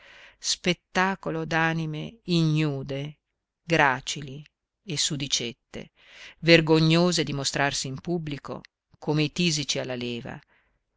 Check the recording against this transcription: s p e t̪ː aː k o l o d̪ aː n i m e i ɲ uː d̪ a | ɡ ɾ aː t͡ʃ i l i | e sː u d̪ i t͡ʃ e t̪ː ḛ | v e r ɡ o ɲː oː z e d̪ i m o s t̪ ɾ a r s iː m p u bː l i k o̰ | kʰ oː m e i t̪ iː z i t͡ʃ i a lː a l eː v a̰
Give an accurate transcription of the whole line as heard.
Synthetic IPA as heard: s p e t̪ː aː k o l o d̪ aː n i m e i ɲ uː d̪ e | ɡ ɾ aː t͡ʃ i l i | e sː u d̪ i t͡ʃ e t̪ː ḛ | v e r ɡ o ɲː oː z e d̪ i m o s t̪ ɾ a r s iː m p u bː l i k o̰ | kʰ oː m e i t̪ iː z i t͡ʃ i a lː a l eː v a̰